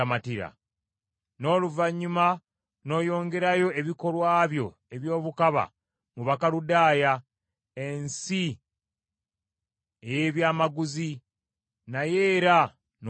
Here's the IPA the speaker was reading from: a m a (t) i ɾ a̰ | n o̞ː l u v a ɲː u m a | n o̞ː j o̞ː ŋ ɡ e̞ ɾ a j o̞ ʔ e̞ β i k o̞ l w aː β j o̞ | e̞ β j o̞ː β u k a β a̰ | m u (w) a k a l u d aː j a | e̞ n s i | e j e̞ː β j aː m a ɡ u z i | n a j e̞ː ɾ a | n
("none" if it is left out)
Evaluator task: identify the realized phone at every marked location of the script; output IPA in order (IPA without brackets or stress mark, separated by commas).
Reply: t, β